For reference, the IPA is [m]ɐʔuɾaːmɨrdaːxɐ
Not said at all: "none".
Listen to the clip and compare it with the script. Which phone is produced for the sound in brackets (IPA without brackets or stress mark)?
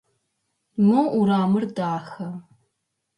m